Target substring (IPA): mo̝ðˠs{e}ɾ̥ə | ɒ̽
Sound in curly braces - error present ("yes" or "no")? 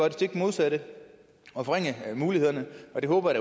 yes